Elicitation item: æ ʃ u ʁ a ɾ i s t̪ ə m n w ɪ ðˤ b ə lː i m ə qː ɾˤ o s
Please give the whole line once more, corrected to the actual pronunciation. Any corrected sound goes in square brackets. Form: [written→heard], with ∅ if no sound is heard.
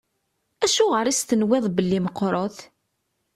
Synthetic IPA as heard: æ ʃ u ʁ [a→ə] ɾ i s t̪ ə [m→∅] n w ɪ ðˤ b ə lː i m ə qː ɾˤ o [s→θ]